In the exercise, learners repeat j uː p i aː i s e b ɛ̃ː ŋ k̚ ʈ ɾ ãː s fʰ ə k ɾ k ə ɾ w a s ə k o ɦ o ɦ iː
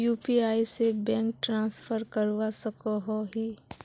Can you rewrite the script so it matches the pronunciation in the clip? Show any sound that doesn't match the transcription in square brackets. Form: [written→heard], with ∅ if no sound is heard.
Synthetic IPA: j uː p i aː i s e b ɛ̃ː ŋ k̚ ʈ ɾ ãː s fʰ ə [k→∅] ɾ k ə ɾ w a s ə k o ɦ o ɦ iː